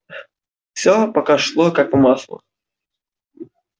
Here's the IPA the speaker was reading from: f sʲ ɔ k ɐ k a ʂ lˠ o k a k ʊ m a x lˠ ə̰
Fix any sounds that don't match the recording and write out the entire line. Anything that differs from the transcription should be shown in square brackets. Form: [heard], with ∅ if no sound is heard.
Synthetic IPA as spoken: f sʲ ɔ [p] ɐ k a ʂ lˠ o k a k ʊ m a [s] lˠ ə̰